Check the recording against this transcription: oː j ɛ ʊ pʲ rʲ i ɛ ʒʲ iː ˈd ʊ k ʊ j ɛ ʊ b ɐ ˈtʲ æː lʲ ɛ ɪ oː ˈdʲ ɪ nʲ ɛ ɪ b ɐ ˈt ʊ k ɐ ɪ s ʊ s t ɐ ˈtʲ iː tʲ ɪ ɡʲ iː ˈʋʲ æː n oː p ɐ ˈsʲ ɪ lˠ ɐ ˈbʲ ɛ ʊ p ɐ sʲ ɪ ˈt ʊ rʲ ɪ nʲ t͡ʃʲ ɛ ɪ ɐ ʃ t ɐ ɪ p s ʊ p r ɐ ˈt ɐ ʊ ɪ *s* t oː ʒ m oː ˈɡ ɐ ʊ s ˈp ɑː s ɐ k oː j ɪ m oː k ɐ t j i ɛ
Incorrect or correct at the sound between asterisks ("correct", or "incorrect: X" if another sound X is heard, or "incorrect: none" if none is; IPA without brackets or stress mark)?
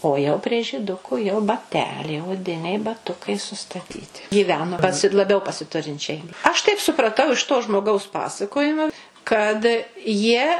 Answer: incorrect: ʃ